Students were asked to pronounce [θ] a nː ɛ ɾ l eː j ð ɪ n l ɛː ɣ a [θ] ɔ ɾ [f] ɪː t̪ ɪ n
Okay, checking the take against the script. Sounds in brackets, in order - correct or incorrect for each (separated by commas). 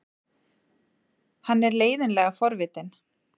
incorrect, incorrect, incorrect